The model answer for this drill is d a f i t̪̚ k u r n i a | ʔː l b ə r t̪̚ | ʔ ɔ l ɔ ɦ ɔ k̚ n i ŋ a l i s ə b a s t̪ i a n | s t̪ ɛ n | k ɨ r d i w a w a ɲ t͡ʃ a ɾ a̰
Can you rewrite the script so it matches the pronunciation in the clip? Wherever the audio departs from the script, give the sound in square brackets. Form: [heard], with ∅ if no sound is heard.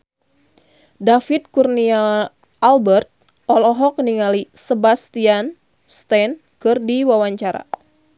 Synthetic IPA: d a f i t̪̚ k u r n i a | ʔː l b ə r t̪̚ | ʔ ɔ l ɔ ɦ ɔ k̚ n i ŋ a l i s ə b a s t̪ i a n | s t̪ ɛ n | k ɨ r d i w a w a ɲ t͡ʃ a ɾ a̰